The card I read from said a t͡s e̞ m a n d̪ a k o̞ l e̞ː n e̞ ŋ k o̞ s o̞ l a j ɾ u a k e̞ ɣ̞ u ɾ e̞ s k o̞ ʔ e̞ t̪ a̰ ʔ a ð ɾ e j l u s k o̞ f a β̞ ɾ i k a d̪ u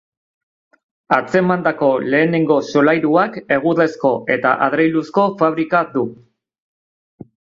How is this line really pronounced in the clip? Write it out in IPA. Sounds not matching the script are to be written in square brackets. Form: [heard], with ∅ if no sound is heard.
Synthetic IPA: a t͡s e̞ m a n d̪ a k o̞ l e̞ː n e̞ ŋ [ɡ] o̞ s o̞ l a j ɾ u a k e̞ ɣ̞ u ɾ e̞ s k o̞ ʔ e̞ t̪ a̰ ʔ a ð ɾ e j l u s k o̞ f a β̞ ɾ i k a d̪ u